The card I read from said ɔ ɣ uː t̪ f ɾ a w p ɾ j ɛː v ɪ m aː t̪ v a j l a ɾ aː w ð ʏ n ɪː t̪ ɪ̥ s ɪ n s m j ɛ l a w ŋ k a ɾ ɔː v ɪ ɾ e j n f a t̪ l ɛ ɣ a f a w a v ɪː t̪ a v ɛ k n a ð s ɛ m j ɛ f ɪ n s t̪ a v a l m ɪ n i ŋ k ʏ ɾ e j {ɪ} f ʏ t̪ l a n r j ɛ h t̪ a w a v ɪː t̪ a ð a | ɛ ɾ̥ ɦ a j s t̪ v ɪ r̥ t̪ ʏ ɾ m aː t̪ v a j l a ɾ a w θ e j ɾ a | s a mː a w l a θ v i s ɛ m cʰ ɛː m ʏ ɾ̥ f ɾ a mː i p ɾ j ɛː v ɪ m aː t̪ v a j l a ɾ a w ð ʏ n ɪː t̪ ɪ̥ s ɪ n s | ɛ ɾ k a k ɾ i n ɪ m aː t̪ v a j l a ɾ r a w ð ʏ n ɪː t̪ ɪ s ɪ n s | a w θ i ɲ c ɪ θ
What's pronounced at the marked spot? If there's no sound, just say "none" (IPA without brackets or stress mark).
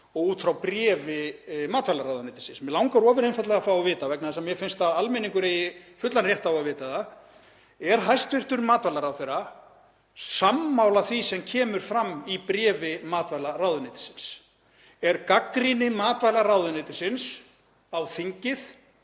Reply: ɪ